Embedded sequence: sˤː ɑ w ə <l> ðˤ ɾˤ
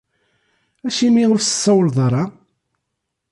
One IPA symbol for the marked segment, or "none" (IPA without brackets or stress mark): l